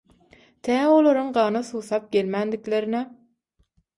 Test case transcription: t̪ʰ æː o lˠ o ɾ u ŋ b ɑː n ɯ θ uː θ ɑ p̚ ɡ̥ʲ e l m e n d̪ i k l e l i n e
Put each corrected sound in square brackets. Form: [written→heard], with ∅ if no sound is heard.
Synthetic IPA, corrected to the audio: t̪ʰ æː o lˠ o ɾ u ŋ [b→ɢ] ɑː n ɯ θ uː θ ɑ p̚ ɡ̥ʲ e l m [e→æ] n d̪ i k l e [l→ɾ] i n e